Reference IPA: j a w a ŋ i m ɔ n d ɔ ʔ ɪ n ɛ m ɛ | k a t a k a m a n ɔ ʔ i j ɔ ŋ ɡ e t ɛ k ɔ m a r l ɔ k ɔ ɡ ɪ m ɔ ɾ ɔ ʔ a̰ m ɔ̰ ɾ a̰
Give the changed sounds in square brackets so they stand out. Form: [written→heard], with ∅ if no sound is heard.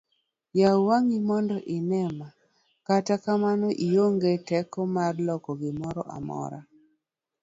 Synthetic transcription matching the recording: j a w a ŋ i m ɔ n d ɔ ʔ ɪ n ɛ m [ɛ→a] | k a t a k a m a n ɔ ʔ i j [ɔ→o] ŋ ɡ e t ɛ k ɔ m a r l ɔ k ɔ ɡ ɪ m ɔ ɾ ɔ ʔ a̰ m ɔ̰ ɾ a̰